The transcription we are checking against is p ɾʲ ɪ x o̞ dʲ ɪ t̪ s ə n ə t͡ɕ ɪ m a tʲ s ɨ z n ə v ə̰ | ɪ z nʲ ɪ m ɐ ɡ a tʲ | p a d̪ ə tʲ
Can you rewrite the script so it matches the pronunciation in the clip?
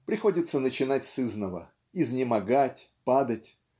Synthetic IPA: p ɾʲ ɪ x o̞ dʲ ɪ t̪ s ə n ə t͡ɕ ɪ n a tʲ s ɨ z n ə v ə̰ | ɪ z nʲ ɪ m ɐ ɡ a tʲ | p a d̪ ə tʲ